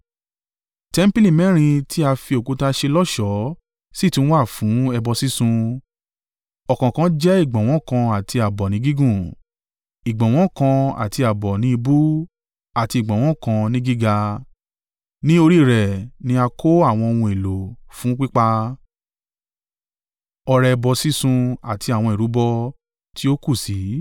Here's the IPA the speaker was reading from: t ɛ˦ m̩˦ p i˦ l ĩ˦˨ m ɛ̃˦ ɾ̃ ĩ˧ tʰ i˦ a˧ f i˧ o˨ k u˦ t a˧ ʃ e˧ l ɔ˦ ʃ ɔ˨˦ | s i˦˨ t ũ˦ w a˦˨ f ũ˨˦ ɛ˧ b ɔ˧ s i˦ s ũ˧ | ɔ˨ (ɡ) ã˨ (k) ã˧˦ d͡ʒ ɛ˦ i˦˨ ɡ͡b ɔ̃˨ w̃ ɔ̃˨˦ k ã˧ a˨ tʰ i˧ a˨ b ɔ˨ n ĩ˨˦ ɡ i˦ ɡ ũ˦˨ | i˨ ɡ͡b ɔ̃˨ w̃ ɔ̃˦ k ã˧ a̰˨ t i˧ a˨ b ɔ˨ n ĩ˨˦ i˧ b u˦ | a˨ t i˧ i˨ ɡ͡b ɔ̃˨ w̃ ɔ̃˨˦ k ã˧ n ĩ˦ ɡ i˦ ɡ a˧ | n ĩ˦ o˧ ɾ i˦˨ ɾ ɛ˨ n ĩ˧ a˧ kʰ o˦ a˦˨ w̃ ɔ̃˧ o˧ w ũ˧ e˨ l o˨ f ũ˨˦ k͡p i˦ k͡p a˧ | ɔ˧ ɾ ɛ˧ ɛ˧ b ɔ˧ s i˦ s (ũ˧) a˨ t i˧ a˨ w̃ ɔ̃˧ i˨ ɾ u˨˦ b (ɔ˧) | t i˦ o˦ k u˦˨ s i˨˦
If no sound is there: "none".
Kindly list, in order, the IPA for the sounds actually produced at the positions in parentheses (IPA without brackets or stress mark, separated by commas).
k, k, ũ˧, ɔ˧